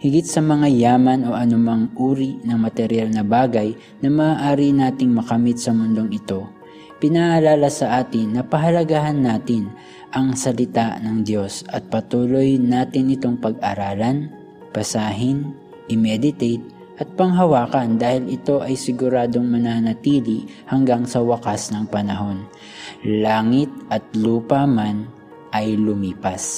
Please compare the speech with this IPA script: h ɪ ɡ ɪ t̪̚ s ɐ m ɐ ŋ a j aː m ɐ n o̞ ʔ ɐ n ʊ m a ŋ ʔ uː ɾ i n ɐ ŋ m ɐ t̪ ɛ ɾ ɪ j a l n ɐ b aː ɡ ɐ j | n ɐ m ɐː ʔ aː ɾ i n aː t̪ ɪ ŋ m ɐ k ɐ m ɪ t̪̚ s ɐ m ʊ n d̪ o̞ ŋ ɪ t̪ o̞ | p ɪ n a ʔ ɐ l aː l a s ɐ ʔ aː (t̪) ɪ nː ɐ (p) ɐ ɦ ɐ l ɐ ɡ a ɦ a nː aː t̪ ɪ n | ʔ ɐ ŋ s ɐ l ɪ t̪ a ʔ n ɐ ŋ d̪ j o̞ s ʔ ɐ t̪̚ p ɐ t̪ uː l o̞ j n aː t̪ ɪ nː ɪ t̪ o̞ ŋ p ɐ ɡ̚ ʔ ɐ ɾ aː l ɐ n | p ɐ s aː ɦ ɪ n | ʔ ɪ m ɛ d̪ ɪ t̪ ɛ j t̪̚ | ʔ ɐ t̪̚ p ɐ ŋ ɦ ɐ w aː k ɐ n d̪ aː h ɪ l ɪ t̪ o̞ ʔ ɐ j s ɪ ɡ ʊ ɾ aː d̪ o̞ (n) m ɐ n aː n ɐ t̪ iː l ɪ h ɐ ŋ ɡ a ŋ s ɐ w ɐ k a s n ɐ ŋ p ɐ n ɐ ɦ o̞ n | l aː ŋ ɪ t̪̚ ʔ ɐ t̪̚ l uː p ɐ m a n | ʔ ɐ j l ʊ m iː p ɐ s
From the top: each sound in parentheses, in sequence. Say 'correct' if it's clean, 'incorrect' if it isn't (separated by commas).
correct, correct, incorrect